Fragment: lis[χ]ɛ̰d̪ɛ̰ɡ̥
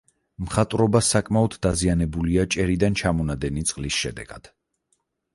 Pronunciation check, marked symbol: incorrect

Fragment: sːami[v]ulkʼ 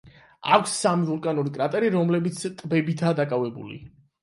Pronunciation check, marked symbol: correct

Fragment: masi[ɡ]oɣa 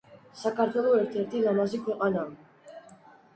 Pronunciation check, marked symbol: incorrect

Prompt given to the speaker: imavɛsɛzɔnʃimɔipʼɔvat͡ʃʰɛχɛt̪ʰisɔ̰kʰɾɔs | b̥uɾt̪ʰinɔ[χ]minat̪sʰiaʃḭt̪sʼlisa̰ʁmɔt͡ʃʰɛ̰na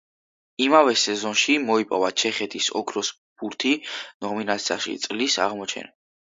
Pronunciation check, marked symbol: incorrect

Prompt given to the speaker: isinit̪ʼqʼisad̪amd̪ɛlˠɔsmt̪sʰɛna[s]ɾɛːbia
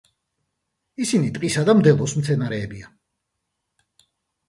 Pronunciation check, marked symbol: incorrect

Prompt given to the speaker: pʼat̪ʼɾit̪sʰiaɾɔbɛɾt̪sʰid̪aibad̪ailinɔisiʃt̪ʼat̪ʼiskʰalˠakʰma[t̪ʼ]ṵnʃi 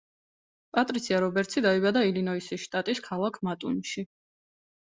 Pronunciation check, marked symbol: correct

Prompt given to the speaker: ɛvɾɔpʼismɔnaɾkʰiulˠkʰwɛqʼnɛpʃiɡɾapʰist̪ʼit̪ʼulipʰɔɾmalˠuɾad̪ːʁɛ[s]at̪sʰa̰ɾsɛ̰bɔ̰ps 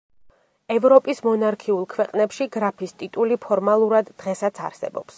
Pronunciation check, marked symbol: correct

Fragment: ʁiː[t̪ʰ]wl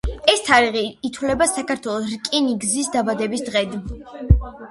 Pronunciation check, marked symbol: correct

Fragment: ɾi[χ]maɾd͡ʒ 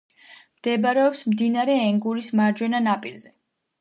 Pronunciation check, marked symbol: incorrect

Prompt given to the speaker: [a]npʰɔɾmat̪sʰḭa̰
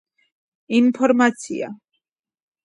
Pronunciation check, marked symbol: incorrect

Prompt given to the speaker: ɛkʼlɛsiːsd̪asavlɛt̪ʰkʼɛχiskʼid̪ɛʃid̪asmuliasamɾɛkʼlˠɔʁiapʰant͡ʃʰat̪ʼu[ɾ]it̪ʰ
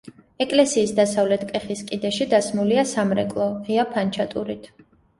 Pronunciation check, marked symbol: correct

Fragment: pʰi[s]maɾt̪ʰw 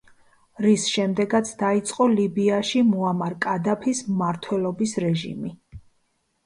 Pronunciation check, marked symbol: correct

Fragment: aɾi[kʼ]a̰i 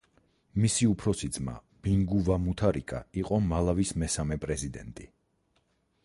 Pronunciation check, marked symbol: correct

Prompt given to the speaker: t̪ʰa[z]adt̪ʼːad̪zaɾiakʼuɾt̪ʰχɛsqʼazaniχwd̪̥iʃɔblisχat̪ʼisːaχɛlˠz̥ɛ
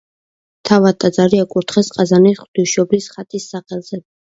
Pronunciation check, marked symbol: incorrect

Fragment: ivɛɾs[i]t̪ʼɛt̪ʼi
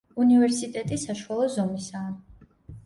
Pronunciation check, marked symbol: correct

